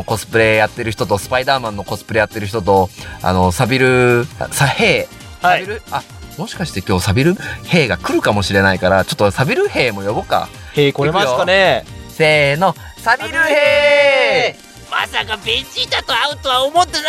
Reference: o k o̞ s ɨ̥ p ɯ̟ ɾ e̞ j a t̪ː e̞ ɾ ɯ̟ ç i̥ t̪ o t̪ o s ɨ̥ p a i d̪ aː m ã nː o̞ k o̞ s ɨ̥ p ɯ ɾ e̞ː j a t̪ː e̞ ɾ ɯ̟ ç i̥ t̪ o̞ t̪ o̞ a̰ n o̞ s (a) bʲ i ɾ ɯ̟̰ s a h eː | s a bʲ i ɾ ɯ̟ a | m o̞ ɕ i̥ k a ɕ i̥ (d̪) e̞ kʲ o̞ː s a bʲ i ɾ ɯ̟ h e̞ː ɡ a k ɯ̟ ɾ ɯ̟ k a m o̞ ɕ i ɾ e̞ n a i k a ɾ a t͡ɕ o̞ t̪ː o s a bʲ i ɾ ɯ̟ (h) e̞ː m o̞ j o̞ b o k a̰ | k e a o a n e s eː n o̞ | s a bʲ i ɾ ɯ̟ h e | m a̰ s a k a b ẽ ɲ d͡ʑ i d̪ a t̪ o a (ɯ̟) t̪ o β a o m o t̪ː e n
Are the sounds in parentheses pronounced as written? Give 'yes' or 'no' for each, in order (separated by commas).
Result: yes, no, yes, yes